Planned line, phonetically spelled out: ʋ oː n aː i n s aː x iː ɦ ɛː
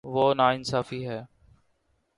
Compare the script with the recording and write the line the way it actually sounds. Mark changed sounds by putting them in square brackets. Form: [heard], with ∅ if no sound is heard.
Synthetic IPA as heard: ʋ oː n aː [ɪ] n s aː [f] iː ɦ ɛː